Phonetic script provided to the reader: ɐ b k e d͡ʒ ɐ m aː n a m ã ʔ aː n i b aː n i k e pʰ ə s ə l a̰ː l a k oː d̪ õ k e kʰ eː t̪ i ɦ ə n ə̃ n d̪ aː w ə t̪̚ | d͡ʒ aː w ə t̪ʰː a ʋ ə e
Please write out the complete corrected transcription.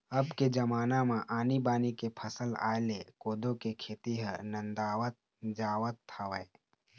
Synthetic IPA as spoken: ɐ b k e d͡ʒ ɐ m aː n a m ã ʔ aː n i b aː n i k e pʰ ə s ə l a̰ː l e k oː d̪ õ k e kʰ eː t̪ i ɦ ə n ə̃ n d̪ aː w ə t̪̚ | d͡ʒ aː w ə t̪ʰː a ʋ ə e

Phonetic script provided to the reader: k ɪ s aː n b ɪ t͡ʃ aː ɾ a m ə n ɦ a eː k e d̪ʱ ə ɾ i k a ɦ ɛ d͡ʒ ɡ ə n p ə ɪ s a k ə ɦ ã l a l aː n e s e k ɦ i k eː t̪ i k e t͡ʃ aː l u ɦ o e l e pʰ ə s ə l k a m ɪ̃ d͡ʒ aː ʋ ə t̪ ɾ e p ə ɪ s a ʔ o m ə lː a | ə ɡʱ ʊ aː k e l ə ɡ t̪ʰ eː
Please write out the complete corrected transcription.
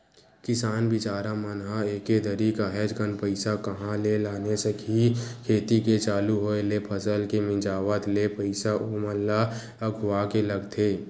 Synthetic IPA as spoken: k ɪ s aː n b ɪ t͡ʃ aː ɾ a m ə n ɦ a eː k e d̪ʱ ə ɾ i k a ɦ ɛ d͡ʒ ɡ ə n p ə ɪ s a k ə ɦ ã l e l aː n e s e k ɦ i kʰ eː t̪ i k e t͡ʃ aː l u ɦ o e l e pʰ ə s ə l k e m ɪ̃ d͡ʒ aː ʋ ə t̪ l e p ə ɪ s a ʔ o m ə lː a | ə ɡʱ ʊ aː k e l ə ɡ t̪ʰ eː

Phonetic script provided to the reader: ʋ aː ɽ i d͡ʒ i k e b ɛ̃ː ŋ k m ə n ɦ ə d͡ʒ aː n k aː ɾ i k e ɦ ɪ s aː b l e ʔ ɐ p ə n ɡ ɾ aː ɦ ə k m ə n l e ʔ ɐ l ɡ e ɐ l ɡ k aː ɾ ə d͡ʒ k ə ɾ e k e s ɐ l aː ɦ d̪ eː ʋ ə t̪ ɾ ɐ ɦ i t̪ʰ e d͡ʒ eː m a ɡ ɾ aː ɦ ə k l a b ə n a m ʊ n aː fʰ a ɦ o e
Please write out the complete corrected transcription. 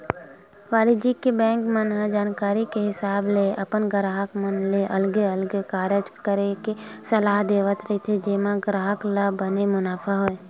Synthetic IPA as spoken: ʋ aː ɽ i d͡ʒ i k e b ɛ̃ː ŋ k m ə n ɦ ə d͡ʒ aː n k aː ɾ i k e ɦ ɪ s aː b l e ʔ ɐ p ə n ɡ ɾ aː ɦ ə k m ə n l e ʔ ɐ l ɡ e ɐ l ɡ k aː ɾ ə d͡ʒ k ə ɾ e k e s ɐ l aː ɦ d̪ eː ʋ ə t̪ ɾ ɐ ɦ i t̪ʰ e d͡ʒ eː m a ɡ ɾ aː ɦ ə k l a b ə n e m ʊ n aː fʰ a ɦ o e

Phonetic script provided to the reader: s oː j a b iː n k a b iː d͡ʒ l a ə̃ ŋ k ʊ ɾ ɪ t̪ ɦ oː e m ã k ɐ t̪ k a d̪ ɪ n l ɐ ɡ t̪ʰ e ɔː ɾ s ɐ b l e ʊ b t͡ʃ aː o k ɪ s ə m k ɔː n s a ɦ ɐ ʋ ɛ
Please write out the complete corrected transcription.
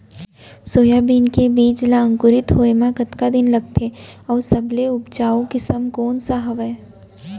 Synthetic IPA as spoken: s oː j a b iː n k e b iː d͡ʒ l a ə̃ ŋ k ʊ ɾ ɪ t̪ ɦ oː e m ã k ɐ t̪ k a d̪ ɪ n l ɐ ɡ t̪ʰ e ɔː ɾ s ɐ b l e ʊ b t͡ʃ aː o k ɪ s ə m k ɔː n s a ɦ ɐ ʋ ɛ

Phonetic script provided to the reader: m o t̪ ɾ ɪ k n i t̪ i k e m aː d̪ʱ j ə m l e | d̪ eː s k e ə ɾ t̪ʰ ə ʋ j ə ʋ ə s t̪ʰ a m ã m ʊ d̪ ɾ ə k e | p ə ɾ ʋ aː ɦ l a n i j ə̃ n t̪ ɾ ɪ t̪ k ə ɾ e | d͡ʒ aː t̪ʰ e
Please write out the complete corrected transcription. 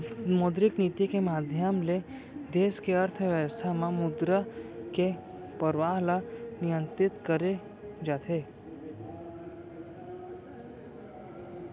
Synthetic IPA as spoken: m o d̪ ɾ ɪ k n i t̪ i k e m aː d̪ʱ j ə m l e | d̪ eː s k e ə ɾ t̪ʰ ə ʋ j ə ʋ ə s t̪ʰ a m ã m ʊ d̪ ɾ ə k e | p ə ɾ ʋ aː ɦ l a n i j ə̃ n t̪ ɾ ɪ t̪ k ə ɾ e | d͡ʒ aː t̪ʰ e

